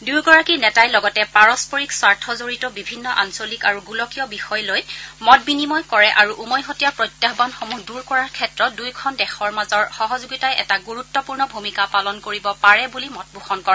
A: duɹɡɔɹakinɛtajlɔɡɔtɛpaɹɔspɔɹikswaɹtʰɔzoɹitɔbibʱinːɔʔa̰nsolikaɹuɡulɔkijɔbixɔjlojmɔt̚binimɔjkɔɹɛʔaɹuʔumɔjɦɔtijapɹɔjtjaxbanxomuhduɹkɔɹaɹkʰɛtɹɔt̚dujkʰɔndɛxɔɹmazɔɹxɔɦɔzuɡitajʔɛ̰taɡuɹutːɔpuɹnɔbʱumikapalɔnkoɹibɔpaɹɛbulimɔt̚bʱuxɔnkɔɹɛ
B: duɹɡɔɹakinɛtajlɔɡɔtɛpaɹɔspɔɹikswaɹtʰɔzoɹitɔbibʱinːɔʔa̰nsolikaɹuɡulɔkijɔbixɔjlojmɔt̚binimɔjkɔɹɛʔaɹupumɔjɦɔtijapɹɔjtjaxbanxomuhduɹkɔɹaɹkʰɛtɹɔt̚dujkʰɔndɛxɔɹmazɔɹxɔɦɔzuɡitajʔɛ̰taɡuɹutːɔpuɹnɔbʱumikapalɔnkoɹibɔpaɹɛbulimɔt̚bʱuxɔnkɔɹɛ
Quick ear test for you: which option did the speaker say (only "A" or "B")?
A